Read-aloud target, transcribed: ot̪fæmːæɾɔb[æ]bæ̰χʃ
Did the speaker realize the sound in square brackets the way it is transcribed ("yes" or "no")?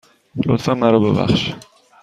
no